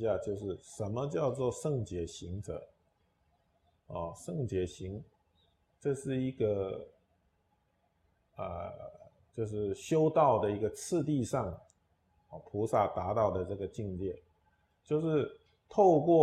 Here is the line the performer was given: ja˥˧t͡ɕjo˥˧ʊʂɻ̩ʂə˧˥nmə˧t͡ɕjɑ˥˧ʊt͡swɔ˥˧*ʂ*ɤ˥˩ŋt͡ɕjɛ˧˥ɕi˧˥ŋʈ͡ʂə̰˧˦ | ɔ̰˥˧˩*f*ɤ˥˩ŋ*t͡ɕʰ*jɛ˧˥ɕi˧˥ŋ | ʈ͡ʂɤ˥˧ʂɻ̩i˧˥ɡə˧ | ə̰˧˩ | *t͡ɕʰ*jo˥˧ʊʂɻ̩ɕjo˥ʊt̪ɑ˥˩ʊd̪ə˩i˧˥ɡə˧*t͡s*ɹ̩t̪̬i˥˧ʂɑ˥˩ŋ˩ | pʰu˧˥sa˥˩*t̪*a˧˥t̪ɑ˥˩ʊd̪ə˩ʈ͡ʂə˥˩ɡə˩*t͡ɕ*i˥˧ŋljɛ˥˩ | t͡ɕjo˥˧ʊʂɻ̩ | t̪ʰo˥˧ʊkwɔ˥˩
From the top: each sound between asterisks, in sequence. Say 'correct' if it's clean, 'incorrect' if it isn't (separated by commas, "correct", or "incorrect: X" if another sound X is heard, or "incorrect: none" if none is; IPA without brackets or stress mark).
correct, incorrect: ʂ, incorrect: t͡ɕ, incorrect: t͡ɕ, incorrect: t͡sʰ, correct, correct